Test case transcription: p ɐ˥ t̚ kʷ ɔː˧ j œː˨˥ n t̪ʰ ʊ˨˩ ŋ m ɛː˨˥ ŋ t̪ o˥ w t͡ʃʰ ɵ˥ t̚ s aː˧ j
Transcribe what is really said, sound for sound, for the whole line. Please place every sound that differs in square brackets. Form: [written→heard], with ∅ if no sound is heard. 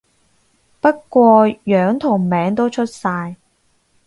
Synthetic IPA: p ɐ˥ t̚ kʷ ɔː˧ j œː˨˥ [n→ŋ] t̪ʰ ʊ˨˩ ŋ m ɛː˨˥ ŋ t̪ o˥ w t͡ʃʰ ɵ˥ t̚ s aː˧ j